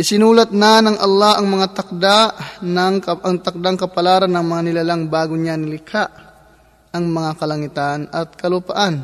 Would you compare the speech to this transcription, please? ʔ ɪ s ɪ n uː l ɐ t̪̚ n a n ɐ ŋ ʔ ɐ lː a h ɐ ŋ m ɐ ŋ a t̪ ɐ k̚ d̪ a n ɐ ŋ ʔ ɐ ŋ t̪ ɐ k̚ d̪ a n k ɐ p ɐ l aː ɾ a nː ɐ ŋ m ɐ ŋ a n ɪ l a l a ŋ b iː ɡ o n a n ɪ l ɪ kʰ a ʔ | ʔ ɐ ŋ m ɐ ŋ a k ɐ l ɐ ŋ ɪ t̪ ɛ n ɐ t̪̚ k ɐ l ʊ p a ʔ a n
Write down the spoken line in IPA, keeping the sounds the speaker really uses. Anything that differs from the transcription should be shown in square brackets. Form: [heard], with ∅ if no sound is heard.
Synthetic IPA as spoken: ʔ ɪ s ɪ n uː l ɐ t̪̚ n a n ɐ ŋ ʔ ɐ lː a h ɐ ŋ m ɐ ŋ a t̪ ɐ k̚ d̪ a n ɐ ŋ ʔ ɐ ŋ t̪ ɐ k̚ d̪ a [ŋ] k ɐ p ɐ l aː ɾ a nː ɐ ŋ m ɐ ŋ a n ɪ l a l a ŋ b [aː] ɡ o [ɲ] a n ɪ l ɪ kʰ a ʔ | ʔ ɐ ŋ m ɐ ŋ a k ɐ l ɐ ŋ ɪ t̪ [a] n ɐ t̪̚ k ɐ l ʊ p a ʔ a n